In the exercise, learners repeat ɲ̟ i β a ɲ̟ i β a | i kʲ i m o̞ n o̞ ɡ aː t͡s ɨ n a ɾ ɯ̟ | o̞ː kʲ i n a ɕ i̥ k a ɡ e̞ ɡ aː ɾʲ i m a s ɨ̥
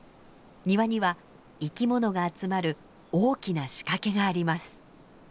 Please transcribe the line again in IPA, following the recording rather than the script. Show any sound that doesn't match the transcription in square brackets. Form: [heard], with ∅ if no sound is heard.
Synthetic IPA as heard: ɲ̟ i β a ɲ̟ i β a | i kʲ i m o̞ n o̞ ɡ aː t͡s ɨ [m] a ɾ ɯ̟ | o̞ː kʲ i n a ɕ i̥ k a [k] e̞ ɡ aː ɾʲ i m a s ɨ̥